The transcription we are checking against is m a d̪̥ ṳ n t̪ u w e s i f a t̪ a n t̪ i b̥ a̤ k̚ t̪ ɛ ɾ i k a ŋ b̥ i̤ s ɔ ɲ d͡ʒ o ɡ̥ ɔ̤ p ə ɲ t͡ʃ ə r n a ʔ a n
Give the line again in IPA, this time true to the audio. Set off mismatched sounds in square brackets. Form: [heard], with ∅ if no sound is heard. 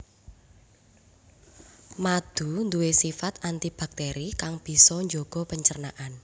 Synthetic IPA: m a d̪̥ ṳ n [d̪] u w e s i f a t̪ a n t̪ i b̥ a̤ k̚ t̪ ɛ ɾ i k a ŋ b̥ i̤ s ɔ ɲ d͡ʒ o ɡ̥ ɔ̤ p ə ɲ t͡ʃ ə r n a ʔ a n

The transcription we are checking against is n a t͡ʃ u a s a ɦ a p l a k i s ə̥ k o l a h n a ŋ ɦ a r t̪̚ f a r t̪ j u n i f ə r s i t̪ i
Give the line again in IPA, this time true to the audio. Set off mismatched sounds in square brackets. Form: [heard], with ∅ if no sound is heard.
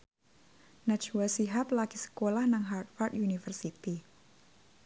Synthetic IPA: n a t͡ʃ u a s [i] ɦ a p l a k i s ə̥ k o l a h n a ŋ ɦ a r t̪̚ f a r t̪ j u n i f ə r s i t̪ i

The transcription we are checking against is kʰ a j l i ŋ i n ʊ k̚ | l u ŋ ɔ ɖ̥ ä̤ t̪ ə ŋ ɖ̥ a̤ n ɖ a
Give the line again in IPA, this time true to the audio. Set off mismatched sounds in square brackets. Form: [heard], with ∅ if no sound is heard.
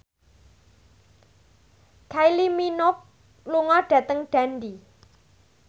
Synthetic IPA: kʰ a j l i [m] i n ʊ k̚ | l u ŋ ɔ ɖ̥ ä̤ t̪ ə ŋ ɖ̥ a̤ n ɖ [i]

